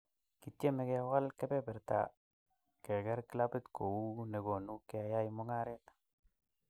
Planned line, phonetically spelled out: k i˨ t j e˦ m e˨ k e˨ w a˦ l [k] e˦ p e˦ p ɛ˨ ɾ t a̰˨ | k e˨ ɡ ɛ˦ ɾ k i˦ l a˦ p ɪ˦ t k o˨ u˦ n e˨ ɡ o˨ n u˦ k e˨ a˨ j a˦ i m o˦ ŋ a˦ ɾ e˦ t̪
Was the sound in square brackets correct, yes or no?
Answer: yes